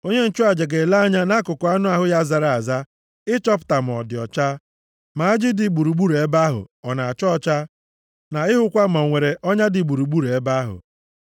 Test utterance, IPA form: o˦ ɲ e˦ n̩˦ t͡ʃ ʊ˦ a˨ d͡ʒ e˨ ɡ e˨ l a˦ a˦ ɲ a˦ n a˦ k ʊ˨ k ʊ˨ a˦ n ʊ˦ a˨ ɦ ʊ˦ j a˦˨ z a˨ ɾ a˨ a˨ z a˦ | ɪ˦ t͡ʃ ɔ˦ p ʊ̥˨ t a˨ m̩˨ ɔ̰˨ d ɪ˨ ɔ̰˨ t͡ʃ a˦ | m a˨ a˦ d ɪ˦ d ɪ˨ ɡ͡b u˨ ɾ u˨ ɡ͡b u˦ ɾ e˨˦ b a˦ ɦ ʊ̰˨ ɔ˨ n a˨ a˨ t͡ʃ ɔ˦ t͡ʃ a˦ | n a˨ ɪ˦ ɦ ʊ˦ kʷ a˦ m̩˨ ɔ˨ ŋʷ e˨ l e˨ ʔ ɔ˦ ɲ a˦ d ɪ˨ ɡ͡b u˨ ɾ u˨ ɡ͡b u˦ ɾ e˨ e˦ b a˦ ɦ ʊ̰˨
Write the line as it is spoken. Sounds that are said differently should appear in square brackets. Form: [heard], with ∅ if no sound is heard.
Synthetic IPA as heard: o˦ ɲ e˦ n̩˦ t͡ʃ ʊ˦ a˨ d͡ʒ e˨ ɡ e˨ l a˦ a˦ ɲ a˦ n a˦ k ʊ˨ k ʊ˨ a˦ n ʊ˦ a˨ ɦ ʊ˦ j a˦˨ z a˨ ɾ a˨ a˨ z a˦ | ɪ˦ t͡ʃ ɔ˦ p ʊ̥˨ t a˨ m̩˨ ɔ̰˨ d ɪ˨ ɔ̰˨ t͡ʃ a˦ | m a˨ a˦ [d͡ʒ] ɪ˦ d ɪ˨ ɡ͡b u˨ ɾ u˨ ɡ͡b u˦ ɾ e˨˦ b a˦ ɦ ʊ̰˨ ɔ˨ n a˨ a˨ t͡ʃ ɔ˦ t͡ʃ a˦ | n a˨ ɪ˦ ɦ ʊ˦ kʷ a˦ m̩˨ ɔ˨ ŋʷ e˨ [ɾ] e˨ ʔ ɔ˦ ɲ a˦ d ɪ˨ ɡ͡b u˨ ɾ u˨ ɡ͡b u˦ ɾ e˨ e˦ b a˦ ɦ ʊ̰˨

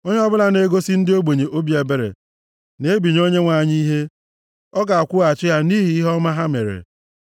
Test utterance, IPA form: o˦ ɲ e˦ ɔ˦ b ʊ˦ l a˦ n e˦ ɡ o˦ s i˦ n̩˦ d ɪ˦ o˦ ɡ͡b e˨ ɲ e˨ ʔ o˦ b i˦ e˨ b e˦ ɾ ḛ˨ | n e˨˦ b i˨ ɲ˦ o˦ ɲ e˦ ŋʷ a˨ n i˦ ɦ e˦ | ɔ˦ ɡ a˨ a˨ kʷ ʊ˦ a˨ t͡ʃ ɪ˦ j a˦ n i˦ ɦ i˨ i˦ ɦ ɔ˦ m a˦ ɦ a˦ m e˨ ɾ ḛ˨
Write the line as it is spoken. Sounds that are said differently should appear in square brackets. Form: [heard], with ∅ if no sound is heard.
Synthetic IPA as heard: o˦ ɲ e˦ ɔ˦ b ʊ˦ l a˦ n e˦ ɡ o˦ s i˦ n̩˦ d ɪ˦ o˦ ɡ͡b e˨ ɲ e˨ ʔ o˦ b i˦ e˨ b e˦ ɾ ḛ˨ | n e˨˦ b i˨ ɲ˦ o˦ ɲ e˦ ŋʷ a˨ [ɲ] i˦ ɦ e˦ | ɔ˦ ɡ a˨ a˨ kʷ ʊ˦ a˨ t͡ʃ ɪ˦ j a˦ n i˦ ɦ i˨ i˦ ɦ ɔ˦ m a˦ ɦ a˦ m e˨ ɾ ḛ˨

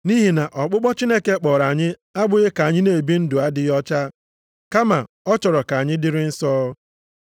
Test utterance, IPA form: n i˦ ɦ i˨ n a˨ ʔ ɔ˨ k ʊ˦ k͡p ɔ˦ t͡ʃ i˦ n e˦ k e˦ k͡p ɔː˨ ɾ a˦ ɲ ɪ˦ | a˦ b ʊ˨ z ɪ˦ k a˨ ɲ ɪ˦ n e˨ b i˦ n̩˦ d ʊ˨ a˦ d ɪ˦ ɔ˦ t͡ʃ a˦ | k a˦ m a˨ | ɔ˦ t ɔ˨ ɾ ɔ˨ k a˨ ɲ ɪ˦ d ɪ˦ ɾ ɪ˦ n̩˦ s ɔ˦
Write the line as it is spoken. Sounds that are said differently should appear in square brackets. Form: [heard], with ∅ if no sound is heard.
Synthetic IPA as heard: n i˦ ɦ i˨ n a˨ ʔ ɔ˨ [k͡p] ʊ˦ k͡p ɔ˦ t͡ʃ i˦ n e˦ k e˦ k͡p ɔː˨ ɾ [a˨] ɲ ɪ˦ | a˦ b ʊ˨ [ɣ] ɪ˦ k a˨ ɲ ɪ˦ n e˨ b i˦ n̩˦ d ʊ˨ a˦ d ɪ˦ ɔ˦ t͡ʃ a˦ | k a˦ m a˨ | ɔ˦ [t͡ʃ] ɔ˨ ɾ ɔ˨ k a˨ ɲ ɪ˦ d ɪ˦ ɾ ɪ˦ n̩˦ s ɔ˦

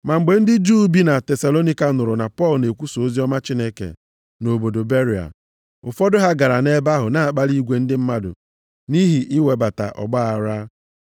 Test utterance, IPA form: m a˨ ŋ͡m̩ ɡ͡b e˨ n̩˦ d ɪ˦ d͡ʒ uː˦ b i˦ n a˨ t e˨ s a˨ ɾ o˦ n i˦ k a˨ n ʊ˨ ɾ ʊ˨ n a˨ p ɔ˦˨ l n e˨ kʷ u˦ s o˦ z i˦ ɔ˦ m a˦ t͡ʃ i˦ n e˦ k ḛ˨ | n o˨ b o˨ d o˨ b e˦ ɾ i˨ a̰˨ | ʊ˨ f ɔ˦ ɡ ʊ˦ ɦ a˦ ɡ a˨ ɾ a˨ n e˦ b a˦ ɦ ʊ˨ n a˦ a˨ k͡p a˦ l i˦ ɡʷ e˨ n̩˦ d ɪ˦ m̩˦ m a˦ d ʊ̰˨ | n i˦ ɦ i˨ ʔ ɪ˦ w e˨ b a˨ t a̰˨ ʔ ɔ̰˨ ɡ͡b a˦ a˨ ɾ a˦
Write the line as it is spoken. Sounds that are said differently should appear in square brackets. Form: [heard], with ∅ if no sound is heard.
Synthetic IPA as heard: m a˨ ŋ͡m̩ ɡ͡b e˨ n̩˦ d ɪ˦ d͡ʒ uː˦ b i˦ n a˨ t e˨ s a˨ [l] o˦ n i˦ k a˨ n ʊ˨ ɾ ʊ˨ n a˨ p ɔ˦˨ l n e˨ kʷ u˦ s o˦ z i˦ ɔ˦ m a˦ t͡ʃ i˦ n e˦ k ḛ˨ | n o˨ b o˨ d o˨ b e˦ ɾ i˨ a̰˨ | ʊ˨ f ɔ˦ [d] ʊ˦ ɦ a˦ ɡ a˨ ɾ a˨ n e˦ b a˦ ɦ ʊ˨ n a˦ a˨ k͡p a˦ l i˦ ɡʷ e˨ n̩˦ d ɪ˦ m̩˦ m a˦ d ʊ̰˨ | n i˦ ɦ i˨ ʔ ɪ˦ w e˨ b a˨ t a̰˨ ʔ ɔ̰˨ ɡ͡b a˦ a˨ ɾ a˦

